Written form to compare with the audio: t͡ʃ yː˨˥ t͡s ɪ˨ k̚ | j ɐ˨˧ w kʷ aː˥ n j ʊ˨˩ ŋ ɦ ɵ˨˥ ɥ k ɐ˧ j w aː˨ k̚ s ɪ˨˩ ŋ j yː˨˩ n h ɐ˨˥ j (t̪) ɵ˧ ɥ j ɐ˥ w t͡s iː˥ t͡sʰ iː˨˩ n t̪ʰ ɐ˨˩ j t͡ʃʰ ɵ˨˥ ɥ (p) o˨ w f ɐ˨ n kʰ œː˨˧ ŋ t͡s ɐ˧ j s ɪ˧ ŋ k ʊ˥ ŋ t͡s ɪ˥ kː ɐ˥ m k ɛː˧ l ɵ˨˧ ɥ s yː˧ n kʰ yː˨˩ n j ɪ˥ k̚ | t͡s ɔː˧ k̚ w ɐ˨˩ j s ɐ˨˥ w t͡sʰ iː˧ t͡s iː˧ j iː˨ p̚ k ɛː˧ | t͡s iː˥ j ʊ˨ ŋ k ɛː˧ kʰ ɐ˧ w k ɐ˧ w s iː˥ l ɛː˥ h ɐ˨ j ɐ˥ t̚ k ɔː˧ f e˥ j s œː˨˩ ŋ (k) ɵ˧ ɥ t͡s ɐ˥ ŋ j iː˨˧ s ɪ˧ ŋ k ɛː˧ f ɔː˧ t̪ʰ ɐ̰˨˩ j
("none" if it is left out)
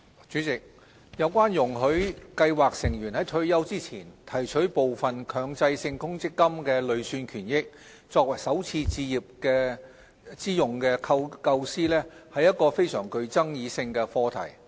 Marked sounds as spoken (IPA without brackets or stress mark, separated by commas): t̪ʰ, p, k